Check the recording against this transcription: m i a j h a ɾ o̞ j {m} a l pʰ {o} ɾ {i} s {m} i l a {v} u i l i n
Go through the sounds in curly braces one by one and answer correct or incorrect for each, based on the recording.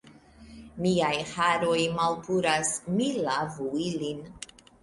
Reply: correct, incorrect: u, incorrect: a, correct, correct

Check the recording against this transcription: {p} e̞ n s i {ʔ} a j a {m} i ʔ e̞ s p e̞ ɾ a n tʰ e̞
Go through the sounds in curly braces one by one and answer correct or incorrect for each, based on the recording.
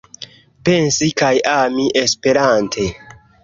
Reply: correct, incorrect: k, correct

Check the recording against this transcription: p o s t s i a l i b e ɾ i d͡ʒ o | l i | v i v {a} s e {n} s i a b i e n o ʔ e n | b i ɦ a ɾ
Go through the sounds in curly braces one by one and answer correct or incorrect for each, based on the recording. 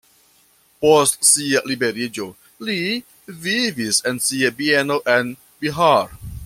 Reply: incorrect: i, correct

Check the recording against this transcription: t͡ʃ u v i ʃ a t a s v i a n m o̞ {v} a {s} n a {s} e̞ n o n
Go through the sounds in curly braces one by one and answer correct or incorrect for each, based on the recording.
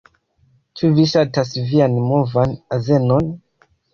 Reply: correct, incorrect: none, incorrect: z

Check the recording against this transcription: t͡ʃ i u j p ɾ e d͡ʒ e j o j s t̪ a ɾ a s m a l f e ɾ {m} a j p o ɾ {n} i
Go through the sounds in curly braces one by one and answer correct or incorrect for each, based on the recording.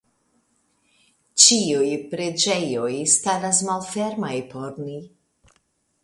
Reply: correct, correct

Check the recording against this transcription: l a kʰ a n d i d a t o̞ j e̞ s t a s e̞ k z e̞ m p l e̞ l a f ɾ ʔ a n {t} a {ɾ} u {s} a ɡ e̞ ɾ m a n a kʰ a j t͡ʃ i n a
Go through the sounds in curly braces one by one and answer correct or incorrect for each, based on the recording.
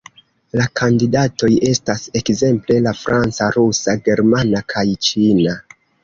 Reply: incorrect: t͡s, correct, correct

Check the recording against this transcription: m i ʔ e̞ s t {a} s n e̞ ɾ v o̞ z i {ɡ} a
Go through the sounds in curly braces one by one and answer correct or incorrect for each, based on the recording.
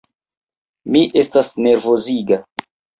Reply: correct, correct

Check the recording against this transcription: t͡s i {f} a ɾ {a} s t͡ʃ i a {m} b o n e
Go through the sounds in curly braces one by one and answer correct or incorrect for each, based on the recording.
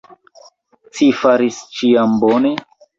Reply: correct, incorrect: i, correct

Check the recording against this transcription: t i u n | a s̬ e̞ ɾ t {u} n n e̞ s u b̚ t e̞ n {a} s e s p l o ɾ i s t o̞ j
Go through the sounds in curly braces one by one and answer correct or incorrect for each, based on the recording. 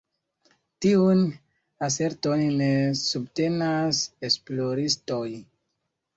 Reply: incorrect: o, correct

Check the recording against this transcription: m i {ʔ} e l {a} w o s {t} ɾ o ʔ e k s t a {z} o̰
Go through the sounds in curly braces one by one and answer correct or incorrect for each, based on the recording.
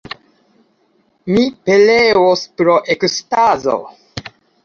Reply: incorrect: p, incorrect: e, incorrect: p, correct

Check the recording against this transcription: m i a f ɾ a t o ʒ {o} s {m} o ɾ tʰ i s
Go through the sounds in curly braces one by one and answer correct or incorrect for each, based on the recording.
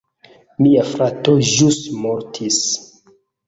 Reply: incorrect: u, correct

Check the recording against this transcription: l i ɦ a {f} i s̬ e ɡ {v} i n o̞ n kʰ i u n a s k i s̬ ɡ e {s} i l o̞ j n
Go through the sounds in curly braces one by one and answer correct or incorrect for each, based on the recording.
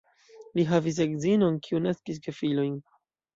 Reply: incorrect: v, incorrect: z, incorrect: f

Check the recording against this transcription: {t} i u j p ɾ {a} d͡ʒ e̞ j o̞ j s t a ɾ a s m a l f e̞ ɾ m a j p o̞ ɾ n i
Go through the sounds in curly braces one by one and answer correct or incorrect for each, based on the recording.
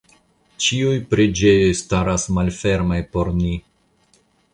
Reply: incorrect: t͡ʃ, incorrect: e

